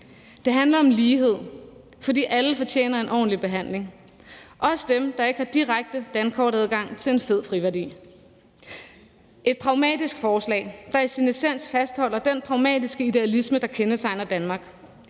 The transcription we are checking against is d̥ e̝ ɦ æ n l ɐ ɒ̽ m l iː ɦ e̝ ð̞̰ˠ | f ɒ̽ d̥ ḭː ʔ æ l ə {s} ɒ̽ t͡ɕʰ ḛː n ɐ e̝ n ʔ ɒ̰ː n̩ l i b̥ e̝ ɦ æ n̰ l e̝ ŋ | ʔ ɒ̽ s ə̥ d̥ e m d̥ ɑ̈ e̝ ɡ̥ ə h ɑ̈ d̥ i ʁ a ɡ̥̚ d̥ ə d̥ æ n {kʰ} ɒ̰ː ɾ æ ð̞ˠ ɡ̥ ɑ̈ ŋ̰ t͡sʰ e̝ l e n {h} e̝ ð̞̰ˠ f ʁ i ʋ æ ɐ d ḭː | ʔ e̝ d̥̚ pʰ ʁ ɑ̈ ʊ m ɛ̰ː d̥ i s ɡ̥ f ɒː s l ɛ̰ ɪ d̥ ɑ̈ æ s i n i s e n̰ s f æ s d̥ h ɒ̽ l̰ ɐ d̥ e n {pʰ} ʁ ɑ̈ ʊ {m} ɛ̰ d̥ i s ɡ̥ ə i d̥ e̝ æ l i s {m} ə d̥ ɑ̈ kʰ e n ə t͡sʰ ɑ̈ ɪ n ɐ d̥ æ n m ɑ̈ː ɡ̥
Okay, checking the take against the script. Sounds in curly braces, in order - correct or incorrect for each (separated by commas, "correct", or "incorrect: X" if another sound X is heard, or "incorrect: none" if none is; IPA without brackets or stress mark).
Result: incorrect: f, correct, incorrect: f, correct, correct, correct